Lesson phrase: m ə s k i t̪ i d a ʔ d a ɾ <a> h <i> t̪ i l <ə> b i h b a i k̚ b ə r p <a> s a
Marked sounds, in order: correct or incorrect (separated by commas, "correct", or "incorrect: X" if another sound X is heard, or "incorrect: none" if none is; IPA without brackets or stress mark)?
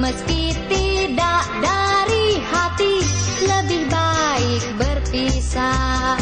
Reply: incorrect: i, incorrect: a, correct, incorrect: i